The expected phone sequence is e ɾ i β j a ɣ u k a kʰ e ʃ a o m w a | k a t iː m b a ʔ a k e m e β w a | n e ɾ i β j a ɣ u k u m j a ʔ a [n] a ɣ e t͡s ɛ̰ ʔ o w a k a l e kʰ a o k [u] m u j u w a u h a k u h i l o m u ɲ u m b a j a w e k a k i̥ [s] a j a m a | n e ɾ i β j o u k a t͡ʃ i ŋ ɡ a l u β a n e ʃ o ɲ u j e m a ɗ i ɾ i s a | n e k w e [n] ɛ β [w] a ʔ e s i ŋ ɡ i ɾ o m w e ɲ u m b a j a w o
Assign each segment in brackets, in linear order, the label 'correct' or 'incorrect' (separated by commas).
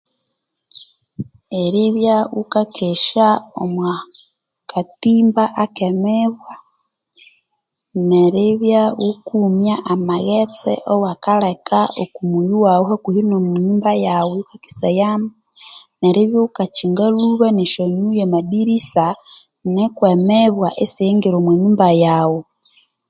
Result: incorrect, correct, correct, incorrect, correct